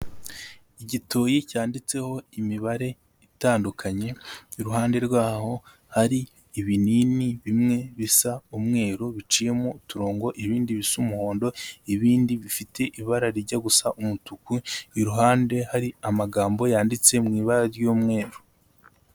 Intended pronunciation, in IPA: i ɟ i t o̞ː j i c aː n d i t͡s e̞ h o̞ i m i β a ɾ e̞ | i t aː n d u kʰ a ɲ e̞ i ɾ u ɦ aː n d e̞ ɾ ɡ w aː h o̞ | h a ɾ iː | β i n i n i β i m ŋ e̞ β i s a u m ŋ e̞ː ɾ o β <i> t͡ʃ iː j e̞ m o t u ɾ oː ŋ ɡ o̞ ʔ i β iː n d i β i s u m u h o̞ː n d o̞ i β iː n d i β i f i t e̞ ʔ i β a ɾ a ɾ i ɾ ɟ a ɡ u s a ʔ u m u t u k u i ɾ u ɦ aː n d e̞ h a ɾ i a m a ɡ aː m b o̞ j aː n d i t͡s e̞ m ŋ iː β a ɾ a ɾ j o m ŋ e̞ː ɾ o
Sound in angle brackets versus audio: correct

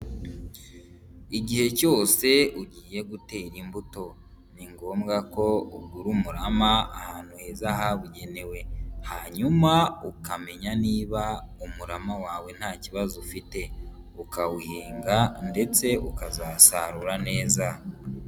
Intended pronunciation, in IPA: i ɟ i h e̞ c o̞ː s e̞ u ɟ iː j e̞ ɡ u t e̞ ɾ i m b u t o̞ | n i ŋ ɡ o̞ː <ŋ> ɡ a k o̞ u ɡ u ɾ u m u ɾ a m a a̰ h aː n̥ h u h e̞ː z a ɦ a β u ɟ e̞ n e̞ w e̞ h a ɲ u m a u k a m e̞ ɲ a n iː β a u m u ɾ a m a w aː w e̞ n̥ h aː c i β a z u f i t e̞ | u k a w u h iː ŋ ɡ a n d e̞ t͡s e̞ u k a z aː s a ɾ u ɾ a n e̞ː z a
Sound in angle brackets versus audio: incorrect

